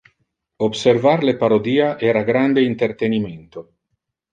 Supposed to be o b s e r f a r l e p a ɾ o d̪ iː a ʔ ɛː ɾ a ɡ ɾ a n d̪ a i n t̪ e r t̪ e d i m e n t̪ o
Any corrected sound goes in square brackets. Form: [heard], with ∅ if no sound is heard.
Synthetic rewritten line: o b s e r [v] a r l e p a ɾ o d̪ iː a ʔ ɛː ɾ a ɡ ɾ a n d̪ [e] i n t̪ e r t̪ e [n] i m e n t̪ o